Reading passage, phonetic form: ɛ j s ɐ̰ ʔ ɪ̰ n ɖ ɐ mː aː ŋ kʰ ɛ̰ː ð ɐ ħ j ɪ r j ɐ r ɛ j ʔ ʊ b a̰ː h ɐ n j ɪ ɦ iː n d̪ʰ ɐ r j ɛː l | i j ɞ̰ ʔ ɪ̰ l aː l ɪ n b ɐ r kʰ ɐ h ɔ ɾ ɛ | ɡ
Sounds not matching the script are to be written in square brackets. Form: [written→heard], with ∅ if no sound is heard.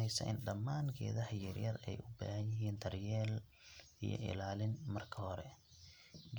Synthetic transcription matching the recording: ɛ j s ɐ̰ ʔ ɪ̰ n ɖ ɐ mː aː ŋ kʰ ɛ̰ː ð ɐ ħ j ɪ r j ɐ r ɛ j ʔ ʊ b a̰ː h ɐ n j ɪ ɦ iː n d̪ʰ ɐ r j ɛː l | i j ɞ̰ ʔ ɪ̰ l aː l ɪ n [b→m] ɐ r kʰ ɐ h ɔ ɾ ɛ | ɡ

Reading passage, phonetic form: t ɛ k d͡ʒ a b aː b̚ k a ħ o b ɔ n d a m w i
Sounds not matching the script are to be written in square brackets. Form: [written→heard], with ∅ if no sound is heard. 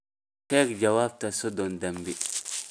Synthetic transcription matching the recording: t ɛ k d͡ʒ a [b→w] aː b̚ [k→t] a [ħ→s] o [b→d] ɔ n d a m [w→b] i

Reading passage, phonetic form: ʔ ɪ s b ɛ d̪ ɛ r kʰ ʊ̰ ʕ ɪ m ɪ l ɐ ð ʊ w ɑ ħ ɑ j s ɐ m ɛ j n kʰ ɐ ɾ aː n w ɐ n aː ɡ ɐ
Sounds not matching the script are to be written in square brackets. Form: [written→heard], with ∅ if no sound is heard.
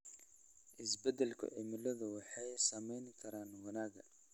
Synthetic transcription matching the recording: ʔ ɪ s b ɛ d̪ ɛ [r→l] kʰ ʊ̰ ʕ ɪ m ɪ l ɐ ð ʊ w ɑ ħ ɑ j s ɐ m ɛ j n kʰ ɐ ɾ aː n w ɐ n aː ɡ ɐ

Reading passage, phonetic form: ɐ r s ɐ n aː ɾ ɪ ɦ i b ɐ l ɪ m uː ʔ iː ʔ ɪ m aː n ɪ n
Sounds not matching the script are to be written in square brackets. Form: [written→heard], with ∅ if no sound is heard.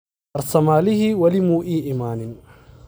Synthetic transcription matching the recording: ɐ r s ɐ [n→m] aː [ɾ→l] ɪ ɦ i [b→w] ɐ l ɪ m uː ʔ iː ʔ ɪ m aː n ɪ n

